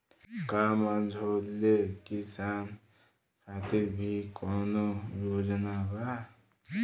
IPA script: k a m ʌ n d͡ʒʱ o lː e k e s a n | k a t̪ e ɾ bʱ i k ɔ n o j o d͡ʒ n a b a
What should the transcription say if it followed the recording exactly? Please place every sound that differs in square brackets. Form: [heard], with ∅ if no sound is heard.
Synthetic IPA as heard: k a m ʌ n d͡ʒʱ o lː e k [i] s a n | [kʰ] a t̪ [i] ɾ bʱ i k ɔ n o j o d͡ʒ n a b a